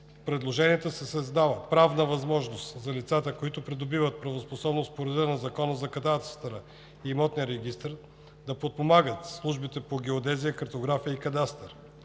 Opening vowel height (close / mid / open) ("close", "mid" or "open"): mid